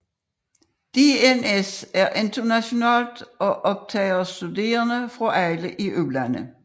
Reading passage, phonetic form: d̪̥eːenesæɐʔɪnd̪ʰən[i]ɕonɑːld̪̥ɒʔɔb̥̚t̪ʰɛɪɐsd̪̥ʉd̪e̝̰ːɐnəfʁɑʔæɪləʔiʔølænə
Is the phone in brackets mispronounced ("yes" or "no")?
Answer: yes